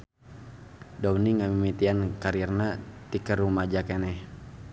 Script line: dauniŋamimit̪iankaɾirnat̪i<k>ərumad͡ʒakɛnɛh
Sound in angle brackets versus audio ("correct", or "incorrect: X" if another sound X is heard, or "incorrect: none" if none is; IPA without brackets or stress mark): correct